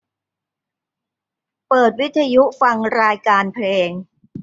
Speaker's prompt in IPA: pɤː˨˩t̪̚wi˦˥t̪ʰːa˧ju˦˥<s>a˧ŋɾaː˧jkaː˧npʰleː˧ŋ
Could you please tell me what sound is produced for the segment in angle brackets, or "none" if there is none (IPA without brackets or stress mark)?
f